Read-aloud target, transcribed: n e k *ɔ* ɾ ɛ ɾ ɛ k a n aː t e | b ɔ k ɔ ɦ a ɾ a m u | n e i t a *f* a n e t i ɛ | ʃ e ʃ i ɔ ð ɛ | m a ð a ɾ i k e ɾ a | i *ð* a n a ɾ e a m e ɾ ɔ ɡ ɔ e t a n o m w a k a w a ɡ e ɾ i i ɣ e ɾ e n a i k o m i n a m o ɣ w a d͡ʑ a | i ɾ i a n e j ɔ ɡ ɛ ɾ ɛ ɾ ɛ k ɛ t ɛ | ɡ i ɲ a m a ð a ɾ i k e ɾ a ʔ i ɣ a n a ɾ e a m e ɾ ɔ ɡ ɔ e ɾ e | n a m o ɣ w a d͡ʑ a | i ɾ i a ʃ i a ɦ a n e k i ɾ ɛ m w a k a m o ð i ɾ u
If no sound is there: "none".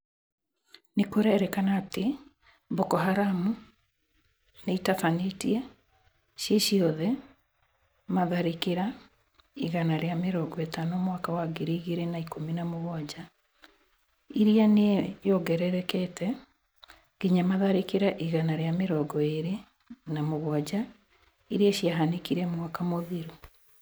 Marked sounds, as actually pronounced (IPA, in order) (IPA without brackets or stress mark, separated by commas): o, f, ɣ